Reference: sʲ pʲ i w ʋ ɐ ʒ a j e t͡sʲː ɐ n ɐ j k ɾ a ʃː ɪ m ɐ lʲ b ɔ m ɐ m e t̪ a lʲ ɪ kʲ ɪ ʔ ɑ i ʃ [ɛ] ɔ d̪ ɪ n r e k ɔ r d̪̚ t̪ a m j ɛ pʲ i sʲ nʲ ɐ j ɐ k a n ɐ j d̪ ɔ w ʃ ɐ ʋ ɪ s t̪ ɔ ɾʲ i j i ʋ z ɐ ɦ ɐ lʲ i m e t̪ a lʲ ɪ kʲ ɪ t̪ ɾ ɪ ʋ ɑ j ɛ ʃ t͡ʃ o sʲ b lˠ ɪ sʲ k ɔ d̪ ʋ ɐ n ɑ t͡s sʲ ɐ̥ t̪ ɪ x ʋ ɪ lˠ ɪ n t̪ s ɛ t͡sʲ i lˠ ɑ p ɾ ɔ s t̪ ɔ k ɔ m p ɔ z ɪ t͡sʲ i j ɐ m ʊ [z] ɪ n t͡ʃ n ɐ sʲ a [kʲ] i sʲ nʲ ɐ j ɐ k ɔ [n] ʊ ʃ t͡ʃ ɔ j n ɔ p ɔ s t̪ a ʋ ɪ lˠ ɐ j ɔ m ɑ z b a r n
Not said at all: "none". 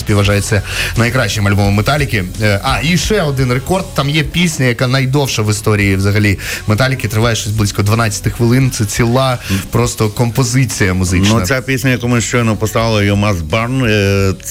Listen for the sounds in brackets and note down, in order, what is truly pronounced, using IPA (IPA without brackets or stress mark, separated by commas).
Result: ɛ, z, pʲ, m